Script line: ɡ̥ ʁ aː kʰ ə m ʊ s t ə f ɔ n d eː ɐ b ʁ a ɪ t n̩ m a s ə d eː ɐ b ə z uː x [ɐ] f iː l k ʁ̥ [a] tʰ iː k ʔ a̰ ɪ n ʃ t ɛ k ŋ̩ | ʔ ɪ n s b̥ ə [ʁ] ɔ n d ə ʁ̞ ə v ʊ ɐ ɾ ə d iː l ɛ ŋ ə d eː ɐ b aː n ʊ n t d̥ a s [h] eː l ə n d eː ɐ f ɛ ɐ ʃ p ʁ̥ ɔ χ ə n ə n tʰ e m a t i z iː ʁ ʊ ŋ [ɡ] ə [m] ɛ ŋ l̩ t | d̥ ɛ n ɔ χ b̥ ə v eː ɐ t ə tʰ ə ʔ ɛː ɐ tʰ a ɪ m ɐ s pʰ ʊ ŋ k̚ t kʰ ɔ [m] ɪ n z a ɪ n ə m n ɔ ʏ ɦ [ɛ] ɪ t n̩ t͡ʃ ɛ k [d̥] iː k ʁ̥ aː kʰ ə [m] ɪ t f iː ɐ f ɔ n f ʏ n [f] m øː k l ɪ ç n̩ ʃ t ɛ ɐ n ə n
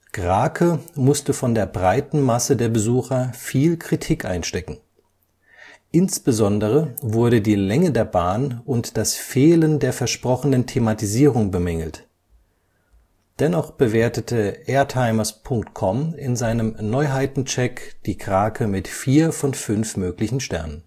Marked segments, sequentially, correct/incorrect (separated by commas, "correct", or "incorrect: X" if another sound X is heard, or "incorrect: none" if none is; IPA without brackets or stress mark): correct, incorrect: i, incorrect: z, incorrect: f, incorrect: b, correct, correct, incorrect: a, correct, correct, correct